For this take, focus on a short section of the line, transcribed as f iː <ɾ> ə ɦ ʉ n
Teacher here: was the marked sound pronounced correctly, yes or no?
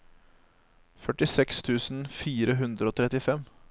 yes